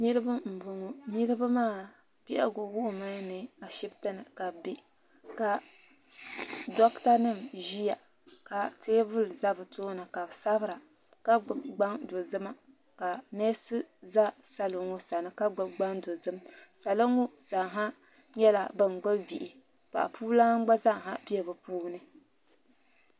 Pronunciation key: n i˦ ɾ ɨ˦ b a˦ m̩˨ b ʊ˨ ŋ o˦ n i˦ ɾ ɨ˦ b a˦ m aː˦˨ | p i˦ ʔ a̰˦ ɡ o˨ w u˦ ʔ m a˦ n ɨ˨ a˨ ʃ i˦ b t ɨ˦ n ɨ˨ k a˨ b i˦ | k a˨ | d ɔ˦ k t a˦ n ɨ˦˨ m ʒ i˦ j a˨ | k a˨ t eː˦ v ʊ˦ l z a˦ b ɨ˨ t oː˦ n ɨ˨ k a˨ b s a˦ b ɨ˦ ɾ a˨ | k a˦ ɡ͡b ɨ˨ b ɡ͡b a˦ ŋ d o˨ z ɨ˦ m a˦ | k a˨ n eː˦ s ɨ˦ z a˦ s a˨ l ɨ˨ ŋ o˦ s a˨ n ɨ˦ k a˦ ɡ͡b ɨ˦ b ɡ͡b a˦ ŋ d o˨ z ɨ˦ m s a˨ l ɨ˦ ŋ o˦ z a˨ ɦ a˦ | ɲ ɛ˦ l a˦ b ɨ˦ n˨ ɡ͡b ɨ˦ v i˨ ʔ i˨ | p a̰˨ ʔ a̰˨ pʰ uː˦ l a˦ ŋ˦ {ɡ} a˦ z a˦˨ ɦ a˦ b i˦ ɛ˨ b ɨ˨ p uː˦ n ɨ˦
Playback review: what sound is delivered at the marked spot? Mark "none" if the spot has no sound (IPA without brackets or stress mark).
ɡ͡b